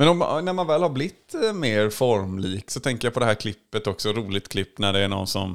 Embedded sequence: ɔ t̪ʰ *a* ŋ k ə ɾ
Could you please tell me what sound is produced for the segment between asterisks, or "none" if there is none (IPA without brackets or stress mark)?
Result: ɛ